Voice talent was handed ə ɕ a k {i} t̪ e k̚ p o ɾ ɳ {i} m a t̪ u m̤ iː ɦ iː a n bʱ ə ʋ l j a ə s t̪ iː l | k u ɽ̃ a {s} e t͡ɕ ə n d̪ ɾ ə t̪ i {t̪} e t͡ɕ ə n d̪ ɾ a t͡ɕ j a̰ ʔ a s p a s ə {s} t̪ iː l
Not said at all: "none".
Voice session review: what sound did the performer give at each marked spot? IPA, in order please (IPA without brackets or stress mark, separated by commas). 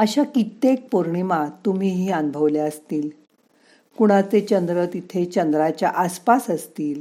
i, i, t͡s, t̪ʰ, s